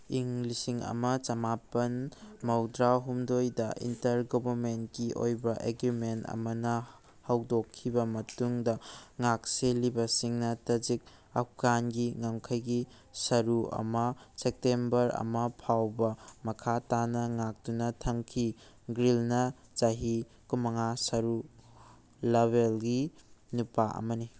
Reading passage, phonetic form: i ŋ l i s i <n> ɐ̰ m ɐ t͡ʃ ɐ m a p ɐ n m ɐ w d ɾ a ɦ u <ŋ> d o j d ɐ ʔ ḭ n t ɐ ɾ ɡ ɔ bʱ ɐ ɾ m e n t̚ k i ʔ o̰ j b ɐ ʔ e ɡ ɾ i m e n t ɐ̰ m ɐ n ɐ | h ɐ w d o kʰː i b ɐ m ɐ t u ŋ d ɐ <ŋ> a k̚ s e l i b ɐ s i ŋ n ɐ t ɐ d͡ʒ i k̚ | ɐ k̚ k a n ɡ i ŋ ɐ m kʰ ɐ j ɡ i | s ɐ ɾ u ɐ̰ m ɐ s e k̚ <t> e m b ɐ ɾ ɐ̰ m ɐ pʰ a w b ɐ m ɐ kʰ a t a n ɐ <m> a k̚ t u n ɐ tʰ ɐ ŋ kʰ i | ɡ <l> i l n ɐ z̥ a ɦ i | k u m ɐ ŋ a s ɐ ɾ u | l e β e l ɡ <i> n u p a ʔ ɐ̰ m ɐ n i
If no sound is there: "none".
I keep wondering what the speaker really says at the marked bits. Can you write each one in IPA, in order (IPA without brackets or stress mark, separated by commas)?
ŋ, m, ŋ, t, ŋ, ɾ, i